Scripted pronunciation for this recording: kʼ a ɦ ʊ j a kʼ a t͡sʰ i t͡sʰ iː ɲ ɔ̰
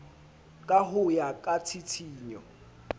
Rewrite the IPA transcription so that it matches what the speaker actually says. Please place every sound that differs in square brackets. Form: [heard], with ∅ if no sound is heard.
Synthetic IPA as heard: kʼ a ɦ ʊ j a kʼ a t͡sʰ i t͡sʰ iː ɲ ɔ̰